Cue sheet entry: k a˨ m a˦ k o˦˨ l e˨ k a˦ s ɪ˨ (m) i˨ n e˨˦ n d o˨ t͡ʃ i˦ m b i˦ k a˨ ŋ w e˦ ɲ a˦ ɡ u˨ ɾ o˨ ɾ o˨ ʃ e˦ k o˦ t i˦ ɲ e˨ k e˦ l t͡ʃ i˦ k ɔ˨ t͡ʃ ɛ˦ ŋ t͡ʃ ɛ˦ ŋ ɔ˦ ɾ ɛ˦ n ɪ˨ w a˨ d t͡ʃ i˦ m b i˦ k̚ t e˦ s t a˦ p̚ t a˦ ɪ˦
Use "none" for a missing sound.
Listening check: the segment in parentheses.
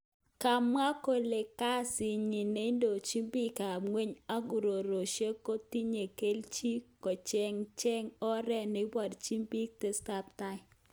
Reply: ɲ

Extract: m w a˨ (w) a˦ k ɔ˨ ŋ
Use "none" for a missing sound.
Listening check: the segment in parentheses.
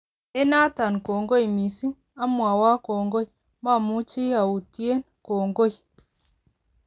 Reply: w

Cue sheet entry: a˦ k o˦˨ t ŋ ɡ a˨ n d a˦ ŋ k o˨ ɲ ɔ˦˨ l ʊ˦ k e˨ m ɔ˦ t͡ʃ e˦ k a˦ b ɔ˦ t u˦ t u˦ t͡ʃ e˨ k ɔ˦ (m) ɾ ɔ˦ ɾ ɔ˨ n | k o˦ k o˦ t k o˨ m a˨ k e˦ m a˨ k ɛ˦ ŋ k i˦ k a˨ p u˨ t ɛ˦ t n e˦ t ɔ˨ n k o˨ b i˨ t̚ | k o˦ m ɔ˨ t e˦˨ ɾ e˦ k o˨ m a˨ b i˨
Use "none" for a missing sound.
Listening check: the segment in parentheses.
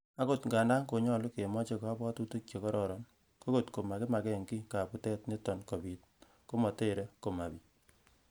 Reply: none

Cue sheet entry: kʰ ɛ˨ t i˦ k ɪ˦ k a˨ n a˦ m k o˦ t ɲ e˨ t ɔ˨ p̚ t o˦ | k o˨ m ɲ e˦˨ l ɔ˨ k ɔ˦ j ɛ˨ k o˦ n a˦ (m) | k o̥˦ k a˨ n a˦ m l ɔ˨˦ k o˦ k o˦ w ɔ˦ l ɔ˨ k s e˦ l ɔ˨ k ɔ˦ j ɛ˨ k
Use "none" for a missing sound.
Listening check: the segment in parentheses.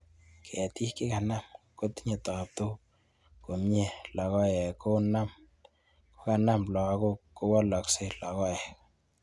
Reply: m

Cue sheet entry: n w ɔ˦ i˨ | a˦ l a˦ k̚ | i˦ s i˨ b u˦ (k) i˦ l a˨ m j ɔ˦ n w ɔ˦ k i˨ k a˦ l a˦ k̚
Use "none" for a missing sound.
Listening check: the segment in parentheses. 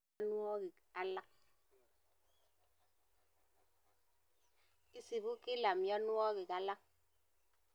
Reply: k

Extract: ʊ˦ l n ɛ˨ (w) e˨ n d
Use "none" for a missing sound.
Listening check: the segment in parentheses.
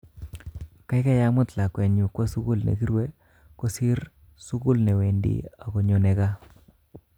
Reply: w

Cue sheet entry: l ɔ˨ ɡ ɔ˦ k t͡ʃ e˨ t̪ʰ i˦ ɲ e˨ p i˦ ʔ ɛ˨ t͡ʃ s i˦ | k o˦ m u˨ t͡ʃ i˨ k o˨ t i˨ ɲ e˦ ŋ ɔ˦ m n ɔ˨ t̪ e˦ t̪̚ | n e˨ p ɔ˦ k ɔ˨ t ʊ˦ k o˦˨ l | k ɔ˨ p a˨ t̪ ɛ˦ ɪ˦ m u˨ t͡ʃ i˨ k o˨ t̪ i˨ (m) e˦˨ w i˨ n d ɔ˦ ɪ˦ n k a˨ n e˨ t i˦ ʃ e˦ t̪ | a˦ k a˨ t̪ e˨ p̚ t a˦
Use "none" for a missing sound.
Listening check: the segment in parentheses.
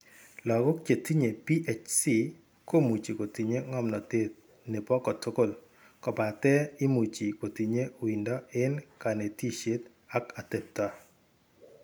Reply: ɲ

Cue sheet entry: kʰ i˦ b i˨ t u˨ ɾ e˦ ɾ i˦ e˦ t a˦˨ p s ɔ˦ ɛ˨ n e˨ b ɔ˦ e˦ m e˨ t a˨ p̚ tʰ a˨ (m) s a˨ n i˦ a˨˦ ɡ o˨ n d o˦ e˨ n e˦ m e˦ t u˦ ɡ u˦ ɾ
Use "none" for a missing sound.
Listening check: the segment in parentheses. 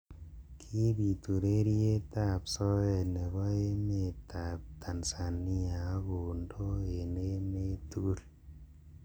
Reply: n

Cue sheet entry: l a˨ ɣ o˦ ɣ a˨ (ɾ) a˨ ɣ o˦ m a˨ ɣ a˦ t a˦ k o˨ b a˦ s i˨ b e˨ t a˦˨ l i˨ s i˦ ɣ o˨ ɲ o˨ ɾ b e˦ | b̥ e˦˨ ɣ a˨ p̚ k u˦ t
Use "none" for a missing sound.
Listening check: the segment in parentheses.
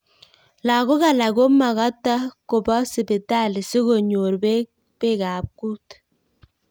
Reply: l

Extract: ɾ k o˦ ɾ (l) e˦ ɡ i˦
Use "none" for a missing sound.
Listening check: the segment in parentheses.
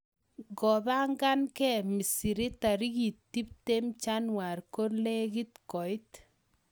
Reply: l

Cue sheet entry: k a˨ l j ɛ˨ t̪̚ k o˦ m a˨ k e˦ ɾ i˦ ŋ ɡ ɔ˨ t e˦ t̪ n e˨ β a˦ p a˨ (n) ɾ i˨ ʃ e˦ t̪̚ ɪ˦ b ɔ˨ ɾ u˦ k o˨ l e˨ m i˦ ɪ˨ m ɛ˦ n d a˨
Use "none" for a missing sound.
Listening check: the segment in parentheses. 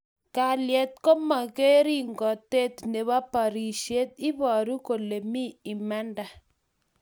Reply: none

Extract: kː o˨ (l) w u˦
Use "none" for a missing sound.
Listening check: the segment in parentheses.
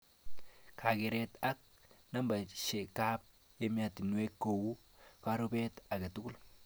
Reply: none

